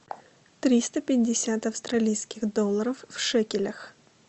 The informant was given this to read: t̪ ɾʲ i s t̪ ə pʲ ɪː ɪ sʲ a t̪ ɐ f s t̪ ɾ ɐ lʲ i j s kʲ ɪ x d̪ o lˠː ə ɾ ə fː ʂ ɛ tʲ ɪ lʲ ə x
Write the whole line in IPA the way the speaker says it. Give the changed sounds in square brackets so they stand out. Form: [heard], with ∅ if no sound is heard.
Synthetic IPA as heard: t̪ ɾʲ i s t̪ ə pʲ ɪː ɪ sʲ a t̪ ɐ f s t̪ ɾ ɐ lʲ i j s kʲ ɪ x d̪ o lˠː ə ɾ ə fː ʂ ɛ [kʲ] ɪ lʲ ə x